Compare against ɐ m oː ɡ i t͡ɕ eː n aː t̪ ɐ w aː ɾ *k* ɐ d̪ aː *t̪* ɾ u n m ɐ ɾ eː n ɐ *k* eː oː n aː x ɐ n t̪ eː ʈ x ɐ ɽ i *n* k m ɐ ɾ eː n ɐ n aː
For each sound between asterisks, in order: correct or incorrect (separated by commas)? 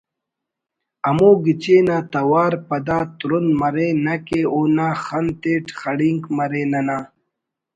incorrect, correct, correct, incorrect